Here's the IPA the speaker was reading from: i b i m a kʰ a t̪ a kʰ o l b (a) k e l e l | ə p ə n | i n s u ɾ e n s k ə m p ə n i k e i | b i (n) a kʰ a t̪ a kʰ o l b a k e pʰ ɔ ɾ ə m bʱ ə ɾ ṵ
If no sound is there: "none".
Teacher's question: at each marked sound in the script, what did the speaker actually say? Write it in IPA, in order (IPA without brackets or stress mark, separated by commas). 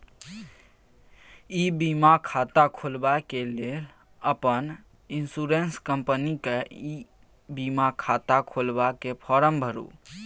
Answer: a, m